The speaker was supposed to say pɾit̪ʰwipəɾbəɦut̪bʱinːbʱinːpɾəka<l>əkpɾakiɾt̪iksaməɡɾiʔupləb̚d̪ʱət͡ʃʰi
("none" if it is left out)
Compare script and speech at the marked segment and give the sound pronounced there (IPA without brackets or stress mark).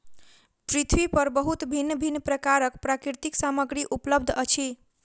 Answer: ɾ